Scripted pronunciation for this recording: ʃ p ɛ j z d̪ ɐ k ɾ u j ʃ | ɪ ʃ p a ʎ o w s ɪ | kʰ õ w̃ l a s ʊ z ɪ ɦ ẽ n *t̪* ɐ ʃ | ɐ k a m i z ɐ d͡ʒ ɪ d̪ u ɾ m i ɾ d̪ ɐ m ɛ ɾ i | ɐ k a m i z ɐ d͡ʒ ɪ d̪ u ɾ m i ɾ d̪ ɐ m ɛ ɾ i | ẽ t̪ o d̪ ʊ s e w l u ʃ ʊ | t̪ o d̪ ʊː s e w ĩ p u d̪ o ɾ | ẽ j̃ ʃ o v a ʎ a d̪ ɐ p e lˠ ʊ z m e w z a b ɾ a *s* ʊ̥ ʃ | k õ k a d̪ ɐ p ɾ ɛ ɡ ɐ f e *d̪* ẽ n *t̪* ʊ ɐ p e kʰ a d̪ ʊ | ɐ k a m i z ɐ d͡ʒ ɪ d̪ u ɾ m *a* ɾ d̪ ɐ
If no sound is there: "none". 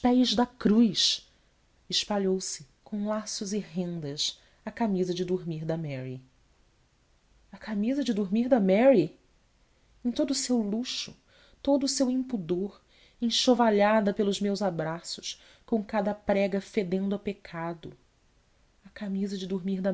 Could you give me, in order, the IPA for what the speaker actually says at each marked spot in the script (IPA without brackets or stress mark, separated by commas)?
d̪, s, d̪, d̪, i